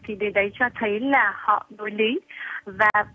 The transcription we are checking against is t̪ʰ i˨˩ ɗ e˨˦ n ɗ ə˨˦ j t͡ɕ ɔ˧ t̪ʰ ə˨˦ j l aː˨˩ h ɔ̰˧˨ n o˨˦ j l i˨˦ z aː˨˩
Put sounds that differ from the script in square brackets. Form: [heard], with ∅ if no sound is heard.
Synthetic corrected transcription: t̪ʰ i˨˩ ɗ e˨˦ n ɗ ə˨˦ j t͡ɕ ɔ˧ t̪ʰ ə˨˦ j l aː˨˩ h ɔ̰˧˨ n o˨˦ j l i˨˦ [v] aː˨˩